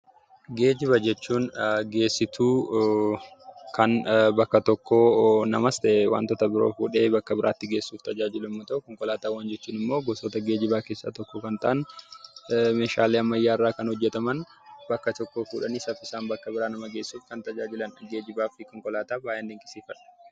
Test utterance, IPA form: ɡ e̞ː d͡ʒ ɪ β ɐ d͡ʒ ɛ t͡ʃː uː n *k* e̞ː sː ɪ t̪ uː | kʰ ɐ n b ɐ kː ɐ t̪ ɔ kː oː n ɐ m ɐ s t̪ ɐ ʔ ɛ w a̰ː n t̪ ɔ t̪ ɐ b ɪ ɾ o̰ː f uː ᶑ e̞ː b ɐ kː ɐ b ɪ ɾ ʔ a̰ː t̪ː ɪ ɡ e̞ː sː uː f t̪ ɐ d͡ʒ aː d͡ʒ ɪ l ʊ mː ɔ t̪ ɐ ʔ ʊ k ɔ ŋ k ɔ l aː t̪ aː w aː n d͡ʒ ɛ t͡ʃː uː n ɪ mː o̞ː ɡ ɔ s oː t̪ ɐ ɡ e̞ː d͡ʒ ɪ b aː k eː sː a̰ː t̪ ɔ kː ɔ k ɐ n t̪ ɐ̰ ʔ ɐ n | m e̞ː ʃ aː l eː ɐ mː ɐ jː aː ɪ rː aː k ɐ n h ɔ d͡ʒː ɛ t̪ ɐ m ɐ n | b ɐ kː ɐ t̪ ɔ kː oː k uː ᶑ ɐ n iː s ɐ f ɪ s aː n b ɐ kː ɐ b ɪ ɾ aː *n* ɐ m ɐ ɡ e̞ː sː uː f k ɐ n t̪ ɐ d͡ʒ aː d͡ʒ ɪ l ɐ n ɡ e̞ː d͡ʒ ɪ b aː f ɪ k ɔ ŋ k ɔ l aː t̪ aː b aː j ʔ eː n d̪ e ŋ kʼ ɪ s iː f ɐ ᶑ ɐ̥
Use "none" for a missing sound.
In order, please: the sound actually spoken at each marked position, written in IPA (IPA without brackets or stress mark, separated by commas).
ɡ, n